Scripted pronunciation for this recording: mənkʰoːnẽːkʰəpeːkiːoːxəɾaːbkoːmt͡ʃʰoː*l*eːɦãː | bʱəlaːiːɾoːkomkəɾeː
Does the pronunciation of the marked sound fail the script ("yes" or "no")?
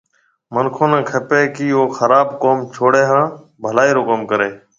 yes